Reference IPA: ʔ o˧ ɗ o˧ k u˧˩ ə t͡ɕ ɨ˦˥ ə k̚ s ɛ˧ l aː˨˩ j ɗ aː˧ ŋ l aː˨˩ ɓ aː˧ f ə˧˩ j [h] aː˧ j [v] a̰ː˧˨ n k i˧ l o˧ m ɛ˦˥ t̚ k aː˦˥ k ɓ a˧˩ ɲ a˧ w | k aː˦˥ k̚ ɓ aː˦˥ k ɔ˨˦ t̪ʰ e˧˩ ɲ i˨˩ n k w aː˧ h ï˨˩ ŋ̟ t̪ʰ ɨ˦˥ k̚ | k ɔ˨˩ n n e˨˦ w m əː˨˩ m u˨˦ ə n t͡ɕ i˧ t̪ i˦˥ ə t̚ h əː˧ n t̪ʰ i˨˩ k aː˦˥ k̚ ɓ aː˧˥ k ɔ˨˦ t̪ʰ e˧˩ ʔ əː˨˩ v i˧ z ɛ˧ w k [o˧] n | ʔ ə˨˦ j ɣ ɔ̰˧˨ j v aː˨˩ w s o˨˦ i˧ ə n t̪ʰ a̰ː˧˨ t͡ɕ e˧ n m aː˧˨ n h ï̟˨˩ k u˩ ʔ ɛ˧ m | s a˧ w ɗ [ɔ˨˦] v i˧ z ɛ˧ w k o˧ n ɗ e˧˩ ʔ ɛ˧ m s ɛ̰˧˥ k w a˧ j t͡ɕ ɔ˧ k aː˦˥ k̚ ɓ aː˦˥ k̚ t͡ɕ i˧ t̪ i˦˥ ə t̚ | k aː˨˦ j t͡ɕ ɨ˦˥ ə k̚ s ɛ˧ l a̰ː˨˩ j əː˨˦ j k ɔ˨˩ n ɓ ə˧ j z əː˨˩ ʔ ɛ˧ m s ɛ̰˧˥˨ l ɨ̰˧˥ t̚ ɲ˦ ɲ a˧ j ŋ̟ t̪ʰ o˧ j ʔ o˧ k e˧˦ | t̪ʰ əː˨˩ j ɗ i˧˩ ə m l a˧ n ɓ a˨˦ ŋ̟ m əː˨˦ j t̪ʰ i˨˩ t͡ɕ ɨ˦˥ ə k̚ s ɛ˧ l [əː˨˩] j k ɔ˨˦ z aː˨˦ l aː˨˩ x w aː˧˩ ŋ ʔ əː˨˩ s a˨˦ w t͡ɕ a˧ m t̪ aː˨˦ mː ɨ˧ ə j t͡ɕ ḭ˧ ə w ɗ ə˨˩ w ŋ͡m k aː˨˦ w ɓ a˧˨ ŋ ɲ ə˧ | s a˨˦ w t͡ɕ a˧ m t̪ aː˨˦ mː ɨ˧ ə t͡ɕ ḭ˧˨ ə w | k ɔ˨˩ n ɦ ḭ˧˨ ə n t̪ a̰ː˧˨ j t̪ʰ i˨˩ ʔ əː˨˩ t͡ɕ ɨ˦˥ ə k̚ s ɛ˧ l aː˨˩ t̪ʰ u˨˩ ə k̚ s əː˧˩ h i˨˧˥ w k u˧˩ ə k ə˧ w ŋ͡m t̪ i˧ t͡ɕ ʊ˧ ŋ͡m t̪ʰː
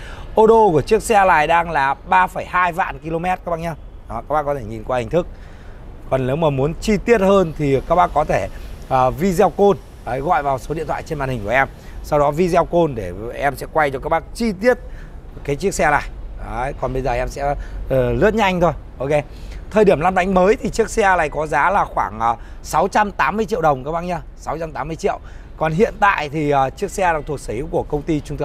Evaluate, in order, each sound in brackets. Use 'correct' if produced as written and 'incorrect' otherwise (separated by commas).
correct, correct, correct, correct, incorrect